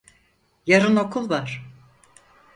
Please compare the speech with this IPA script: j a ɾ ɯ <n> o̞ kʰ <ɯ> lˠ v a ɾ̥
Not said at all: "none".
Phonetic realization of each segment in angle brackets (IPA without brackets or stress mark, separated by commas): n, u